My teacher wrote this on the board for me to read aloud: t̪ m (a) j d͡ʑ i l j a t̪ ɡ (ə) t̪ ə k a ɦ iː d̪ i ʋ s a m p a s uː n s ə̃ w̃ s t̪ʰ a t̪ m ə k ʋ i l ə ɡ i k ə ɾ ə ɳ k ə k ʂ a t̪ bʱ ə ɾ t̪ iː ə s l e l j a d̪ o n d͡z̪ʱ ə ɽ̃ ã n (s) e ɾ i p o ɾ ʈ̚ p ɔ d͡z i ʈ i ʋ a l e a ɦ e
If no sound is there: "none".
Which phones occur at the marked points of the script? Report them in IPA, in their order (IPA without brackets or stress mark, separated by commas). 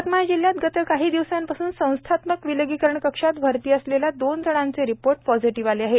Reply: a, ə, t͡s